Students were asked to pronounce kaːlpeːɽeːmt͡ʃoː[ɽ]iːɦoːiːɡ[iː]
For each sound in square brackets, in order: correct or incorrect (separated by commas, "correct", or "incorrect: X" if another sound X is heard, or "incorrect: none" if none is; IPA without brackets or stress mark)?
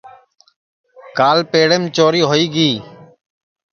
incorrect: ɾ, correct